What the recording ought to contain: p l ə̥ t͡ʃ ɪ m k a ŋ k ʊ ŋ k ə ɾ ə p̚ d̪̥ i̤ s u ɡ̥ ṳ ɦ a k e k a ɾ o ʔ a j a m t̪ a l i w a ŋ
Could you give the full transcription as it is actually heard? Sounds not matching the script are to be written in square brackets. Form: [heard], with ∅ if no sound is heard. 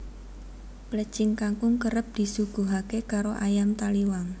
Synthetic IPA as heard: p l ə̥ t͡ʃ ɪ [ŋ] k a ŋ k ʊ ŋ k ə ɾ ə p̚ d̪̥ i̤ s u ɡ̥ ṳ ɦ a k e k a ɾ o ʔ a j a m t̪ a l i w a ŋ